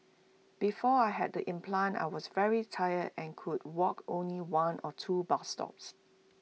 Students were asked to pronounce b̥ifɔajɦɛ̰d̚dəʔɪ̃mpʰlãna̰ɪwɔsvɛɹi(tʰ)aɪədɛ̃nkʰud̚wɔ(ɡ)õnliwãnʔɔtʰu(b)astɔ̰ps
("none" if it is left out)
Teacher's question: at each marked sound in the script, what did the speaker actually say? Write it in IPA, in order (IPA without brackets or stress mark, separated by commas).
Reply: tʰ, k, b